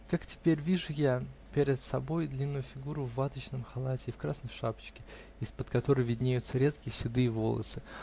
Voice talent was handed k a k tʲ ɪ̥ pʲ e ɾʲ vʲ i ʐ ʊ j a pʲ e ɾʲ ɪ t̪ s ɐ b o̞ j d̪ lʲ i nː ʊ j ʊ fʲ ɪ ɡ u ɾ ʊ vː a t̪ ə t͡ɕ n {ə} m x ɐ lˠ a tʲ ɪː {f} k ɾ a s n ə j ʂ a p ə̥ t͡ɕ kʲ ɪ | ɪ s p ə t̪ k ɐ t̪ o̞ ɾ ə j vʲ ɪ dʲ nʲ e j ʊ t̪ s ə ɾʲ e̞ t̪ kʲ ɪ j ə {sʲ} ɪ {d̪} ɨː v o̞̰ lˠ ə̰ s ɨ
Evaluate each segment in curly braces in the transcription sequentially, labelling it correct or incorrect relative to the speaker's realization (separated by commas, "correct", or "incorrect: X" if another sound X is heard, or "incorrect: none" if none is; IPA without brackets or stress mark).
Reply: correct, correct, correct, correct